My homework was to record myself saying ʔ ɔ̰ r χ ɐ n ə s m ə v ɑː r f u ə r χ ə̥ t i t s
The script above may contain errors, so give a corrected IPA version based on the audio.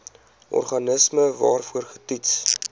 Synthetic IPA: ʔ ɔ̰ r χ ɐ n ə s m ə v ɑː r f u ə r χ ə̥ t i t s